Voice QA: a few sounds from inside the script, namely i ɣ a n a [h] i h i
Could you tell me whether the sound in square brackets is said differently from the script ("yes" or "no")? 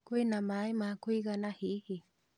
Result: no